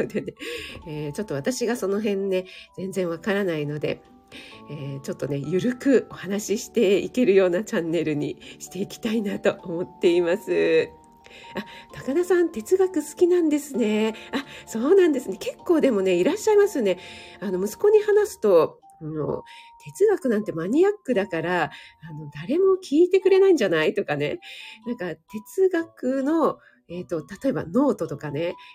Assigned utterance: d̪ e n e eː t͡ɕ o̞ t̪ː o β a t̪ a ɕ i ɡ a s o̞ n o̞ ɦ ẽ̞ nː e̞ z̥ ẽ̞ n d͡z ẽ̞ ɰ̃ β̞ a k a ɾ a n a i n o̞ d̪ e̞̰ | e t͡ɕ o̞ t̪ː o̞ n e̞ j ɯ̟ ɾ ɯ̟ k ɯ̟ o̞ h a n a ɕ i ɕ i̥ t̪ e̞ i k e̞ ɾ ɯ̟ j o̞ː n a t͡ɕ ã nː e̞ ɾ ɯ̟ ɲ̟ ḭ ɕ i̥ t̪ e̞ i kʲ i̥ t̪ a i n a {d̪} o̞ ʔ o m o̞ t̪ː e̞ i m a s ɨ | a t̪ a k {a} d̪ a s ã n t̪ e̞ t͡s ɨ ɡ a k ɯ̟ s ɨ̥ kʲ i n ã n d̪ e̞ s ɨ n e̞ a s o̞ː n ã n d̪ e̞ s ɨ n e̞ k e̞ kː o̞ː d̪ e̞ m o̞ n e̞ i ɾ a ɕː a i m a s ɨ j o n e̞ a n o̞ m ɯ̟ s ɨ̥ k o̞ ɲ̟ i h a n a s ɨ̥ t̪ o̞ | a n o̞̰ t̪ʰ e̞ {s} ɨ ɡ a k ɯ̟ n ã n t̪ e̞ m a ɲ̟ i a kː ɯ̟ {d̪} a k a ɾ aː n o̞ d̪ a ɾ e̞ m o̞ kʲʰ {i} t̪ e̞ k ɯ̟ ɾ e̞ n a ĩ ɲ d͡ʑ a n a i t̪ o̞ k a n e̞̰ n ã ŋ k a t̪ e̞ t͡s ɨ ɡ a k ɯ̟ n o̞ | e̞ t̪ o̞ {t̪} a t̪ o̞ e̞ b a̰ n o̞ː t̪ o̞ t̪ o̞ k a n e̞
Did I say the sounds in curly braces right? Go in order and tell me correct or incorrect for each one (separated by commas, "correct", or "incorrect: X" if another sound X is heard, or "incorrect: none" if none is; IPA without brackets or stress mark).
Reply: incorrect: t̪, correct, incorrect: t͡s, correct, incorrect: iː, correct